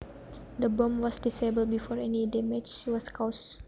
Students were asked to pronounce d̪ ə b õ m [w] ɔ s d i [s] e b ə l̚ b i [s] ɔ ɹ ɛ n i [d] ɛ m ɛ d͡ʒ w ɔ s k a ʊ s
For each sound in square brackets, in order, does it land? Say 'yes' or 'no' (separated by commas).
yes, yes, no, yes